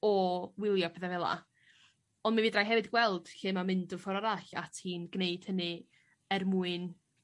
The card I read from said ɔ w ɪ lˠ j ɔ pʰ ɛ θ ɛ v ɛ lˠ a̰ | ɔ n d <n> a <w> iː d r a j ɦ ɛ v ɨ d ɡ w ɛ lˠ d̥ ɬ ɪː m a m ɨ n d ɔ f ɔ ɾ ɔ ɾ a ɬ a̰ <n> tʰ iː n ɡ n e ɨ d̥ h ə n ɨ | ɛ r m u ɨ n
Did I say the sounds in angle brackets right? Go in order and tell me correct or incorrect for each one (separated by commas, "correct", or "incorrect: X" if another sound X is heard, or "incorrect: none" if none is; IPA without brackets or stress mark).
incorrect: m, incorrect: v, incorrect: none